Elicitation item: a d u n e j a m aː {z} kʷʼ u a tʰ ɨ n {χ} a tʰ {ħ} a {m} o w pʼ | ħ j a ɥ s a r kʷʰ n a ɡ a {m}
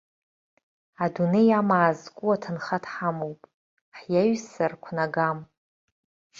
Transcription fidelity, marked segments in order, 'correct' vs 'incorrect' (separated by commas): correct, correct, correct, correct, correct